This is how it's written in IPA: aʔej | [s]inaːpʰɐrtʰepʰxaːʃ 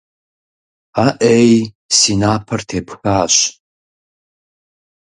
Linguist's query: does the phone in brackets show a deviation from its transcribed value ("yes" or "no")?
no